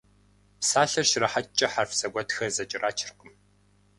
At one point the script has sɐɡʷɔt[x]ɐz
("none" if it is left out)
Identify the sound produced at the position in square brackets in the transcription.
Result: x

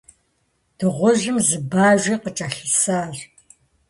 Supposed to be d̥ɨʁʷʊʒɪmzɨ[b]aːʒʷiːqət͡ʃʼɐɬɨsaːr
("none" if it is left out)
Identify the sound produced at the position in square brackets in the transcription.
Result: b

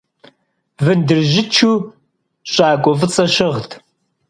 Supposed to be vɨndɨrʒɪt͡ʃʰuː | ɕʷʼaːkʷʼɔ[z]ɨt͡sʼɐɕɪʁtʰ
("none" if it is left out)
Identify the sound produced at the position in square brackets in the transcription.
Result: v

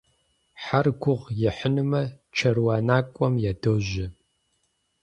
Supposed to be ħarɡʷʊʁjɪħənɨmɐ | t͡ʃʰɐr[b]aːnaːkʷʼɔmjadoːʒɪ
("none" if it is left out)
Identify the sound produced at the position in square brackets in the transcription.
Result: w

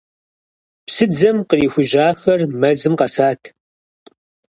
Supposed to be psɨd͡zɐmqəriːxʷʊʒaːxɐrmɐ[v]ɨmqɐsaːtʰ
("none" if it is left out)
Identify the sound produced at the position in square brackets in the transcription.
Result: z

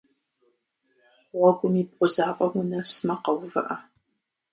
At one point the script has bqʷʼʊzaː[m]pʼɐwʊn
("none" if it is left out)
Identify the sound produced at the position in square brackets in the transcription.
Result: none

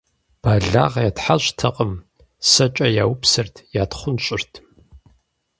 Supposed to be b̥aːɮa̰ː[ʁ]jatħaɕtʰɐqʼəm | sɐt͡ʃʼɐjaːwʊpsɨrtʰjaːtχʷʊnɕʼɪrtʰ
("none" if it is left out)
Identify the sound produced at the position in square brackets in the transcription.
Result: ʁ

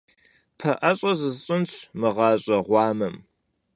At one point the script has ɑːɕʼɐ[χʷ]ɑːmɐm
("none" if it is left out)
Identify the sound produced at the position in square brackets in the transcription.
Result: ʁʷ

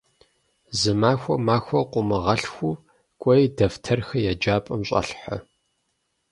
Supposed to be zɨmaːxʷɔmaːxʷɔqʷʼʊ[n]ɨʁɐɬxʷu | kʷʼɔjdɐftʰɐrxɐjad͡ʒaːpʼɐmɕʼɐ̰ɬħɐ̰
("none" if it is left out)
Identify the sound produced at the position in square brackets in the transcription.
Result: m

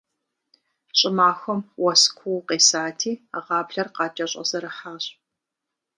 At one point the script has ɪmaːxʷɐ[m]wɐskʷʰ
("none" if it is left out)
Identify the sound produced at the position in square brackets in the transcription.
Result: m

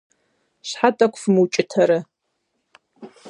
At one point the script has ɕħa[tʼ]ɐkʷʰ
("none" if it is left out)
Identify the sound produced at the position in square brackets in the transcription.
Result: tʼ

